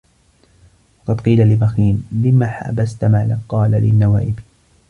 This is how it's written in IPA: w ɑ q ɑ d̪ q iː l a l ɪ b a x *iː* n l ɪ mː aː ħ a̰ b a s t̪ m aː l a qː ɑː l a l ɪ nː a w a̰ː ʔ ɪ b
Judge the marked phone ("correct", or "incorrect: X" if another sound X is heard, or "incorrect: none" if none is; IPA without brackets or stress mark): correct